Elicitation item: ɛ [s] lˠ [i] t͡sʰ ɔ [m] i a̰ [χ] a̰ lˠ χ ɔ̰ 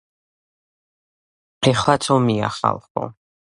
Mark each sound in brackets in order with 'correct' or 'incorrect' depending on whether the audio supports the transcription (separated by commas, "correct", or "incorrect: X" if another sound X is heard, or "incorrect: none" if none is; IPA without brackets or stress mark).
incorrect: χ, incorrect: a, correct, correct